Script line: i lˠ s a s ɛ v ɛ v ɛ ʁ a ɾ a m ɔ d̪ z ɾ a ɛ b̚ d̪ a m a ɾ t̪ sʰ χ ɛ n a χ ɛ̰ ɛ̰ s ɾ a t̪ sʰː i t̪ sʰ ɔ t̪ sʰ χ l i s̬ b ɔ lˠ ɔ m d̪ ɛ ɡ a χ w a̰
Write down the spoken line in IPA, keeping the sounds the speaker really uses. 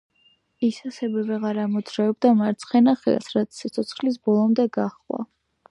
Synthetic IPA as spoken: i s a s ɛ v ɛ v ɛ ʁ a ɾ a m ɔ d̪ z ɾ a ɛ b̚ d̪ a m a ɾ t̪ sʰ χ ɛ n a χ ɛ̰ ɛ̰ s ɾ a t̪ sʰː i t̪ sʰ ɔ t̪ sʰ χ l i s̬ b ɔ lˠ ɔ m d̪ ɛ ɡ a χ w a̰